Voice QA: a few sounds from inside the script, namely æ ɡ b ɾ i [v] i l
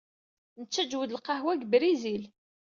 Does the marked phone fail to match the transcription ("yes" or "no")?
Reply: yes